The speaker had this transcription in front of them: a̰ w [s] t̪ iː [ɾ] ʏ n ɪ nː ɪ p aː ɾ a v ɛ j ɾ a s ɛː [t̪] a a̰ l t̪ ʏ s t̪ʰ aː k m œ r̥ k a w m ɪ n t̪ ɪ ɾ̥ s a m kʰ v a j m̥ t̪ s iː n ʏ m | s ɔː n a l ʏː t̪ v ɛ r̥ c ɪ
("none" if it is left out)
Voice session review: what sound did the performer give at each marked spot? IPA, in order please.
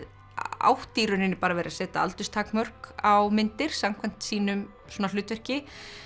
h, ɾ, t̪

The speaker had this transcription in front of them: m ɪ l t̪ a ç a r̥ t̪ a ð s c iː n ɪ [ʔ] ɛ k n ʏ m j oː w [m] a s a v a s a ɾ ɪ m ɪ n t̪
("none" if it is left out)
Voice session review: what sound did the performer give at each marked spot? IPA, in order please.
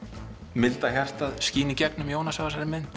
c, n

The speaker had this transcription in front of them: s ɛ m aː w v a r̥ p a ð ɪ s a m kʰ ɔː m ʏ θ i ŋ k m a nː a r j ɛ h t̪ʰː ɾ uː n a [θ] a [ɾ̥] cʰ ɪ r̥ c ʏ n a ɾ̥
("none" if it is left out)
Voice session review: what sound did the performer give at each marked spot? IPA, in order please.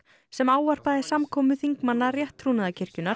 ð, none

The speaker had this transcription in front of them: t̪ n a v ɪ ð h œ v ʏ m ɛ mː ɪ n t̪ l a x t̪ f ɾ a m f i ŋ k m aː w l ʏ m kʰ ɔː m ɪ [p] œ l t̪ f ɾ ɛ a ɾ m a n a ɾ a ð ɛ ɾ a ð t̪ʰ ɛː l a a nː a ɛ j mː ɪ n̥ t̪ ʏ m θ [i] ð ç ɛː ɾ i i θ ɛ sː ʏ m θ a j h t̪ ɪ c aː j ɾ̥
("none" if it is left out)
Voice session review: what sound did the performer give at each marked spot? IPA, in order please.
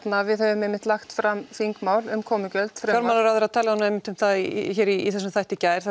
c, a

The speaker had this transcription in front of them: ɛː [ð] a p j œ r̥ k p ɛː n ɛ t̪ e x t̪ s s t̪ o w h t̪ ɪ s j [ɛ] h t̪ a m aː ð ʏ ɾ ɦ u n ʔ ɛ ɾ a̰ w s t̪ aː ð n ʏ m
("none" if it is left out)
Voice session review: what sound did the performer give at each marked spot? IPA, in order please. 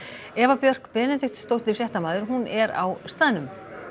v, ɛ

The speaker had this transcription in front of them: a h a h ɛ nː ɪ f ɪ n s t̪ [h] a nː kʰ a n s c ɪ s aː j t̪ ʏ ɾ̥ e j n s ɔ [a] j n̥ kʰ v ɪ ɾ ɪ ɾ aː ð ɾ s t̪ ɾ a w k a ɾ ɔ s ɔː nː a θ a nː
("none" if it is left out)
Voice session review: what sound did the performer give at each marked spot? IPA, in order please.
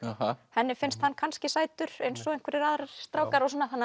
h, e

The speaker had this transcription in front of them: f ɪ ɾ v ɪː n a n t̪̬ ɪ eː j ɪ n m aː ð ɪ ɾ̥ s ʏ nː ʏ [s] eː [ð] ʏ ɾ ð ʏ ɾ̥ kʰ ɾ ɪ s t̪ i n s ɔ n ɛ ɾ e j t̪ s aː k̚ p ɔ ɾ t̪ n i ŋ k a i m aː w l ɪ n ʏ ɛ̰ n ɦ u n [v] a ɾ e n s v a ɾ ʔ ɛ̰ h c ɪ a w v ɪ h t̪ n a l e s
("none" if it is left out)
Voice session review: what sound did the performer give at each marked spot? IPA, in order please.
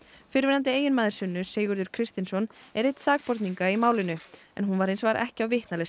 s, ɣ, v

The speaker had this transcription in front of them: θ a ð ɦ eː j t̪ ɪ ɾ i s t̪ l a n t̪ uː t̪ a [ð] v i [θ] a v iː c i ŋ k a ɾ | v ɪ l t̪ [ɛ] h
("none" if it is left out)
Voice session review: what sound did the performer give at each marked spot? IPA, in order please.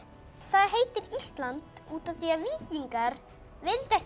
θ, none, ɛ

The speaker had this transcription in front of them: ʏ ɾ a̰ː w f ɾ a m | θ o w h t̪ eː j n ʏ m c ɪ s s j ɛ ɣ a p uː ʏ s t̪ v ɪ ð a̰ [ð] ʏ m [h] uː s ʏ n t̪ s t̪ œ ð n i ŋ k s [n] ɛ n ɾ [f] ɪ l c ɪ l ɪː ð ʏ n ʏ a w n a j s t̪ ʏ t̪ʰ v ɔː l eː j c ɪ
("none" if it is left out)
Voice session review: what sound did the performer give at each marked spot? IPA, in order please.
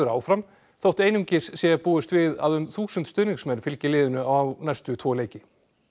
ð, θ, m, f

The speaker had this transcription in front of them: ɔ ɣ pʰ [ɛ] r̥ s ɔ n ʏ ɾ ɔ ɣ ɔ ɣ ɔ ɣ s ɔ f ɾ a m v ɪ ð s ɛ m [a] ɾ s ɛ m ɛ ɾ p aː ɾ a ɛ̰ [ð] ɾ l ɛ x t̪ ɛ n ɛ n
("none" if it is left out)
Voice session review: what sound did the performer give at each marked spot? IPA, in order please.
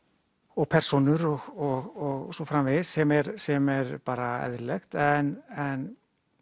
ɛ, ɛ, ð

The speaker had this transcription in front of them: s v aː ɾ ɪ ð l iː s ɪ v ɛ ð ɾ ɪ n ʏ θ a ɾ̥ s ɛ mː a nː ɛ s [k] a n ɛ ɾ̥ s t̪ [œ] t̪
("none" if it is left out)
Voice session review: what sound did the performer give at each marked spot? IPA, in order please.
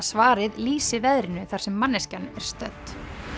c, œ

